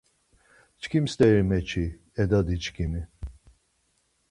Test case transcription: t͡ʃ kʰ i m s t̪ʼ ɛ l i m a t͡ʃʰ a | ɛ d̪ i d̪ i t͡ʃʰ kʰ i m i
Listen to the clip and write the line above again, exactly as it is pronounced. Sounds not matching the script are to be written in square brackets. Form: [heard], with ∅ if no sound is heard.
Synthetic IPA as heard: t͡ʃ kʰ i m s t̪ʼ ɛ [ɾ] i m [ɛ] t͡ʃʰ [i] | ɛ d̪ [a] d̪ i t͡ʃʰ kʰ i m i